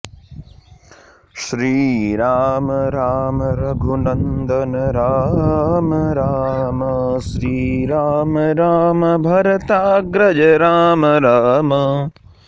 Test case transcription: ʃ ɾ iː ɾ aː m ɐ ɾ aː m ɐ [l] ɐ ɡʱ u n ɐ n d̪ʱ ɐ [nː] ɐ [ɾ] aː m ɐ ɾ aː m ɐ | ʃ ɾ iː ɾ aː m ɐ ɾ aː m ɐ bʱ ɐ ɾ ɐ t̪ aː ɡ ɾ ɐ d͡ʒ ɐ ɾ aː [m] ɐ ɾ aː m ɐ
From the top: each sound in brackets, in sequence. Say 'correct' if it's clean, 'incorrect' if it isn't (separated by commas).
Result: incorrect, incorrect, correct, correct